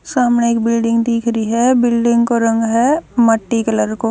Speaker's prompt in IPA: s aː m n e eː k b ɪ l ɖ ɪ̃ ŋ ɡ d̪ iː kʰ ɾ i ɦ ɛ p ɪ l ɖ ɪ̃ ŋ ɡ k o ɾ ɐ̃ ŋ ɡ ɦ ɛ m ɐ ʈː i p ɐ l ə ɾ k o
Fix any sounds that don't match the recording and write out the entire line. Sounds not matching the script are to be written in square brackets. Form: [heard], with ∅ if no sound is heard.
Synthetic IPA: s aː m n e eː k b ɪ l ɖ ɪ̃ ŋ ɡ d̪ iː kʰ ɾ i ɦ ɛ [b] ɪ l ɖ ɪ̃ ŋ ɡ k o ɾ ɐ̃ ŋ ɡ ɦ ɛ m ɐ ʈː i [k] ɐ l ə ɾ k o